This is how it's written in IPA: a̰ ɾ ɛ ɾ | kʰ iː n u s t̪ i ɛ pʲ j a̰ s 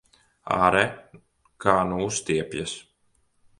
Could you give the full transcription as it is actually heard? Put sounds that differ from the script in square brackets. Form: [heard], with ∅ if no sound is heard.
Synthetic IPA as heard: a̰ ɾ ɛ [∅] | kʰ [aː] n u s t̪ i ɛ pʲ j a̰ s